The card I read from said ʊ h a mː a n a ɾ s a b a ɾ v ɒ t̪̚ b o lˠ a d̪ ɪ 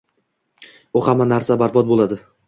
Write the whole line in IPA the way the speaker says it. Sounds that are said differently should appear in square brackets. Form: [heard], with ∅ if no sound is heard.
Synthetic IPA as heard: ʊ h a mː a n a ɾ s a b a ɾ [b] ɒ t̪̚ b o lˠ a d̪ ɪ